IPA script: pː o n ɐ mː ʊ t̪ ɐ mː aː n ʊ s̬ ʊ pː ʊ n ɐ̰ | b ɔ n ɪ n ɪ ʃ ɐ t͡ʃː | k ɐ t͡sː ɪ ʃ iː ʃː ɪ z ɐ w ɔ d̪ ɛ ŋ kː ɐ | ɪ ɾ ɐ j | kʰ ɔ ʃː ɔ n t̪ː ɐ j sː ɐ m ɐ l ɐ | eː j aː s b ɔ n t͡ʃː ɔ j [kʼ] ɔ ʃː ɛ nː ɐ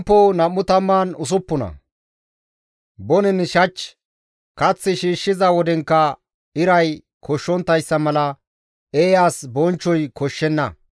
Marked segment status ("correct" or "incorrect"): incorrect